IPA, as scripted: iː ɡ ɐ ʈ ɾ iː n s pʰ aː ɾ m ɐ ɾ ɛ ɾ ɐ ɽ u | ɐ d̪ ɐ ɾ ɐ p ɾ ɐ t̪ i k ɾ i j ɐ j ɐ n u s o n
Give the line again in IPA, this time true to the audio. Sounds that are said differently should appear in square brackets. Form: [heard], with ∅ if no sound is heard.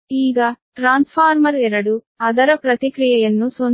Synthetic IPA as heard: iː ɡ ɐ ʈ ɾ [aː] n s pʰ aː ɾ m ɐ ɾ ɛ ɾ ɐ ɽ u | ɐ d̪ ɐ ɾ ɐ p ɾ ɐ t̪ i k ɾ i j ɐ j ɐ [nː] u s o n